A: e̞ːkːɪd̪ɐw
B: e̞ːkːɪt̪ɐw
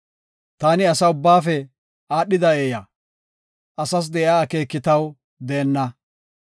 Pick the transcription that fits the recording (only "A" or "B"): B